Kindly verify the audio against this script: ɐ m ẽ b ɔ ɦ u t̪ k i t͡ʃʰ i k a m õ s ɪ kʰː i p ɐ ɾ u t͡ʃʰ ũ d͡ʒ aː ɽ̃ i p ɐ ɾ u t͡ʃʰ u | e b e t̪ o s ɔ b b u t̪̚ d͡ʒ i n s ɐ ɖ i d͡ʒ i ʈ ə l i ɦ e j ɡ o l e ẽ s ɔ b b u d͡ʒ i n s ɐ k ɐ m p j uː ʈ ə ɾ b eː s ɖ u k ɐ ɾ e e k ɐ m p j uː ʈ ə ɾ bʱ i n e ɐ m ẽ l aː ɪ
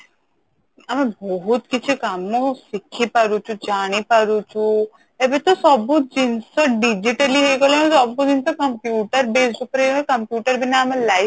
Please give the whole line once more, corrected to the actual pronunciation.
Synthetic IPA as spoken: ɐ m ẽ b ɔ ɦ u t̪ k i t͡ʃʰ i k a m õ s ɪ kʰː i p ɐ ɾ u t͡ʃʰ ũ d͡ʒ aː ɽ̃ i p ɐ ɾ u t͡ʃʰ u | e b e t̪ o s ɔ b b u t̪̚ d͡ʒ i n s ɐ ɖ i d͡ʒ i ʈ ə l i ɦ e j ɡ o l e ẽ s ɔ b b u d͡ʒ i n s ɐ k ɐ m p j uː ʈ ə ɾ b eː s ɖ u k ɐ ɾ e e k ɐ m p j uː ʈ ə ɾ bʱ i n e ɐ m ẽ l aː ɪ